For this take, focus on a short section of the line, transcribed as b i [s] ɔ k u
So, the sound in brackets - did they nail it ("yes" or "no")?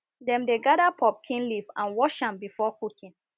no